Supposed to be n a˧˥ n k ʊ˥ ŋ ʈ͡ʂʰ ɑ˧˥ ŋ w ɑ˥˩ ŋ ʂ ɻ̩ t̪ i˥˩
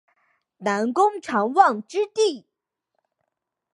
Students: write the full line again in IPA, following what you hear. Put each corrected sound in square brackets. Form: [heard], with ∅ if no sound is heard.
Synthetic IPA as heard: n a˧˥ n k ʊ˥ ŋ ʈ͡ʂʰ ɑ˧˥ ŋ w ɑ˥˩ ŋ [ʈ͡ʂ] ɻ̩ t̪ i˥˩